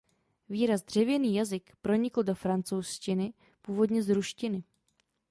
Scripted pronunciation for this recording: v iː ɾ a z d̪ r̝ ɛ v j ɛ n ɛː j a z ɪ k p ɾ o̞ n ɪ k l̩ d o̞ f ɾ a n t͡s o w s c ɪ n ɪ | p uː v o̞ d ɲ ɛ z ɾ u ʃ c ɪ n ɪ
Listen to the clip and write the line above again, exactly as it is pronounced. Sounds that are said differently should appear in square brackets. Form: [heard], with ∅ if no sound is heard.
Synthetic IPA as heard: v iː ɾ a z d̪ r̝ ɛ v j ɛ n [iː] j a z ɪ k p ɾ o̞ [ɲ] ɪ k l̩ d o̞ f ɾ a n t͡s o w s c ɪ n ɪ | p uː v o̞ d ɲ ɛ z ɾ u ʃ c ɪ n ɪ